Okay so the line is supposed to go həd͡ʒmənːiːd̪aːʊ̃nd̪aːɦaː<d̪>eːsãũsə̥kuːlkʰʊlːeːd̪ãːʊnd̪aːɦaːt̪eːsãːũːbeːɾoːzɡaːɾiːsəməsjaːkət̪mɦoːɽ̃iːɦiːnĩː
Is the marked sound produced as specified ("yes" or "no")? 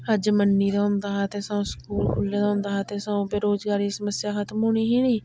no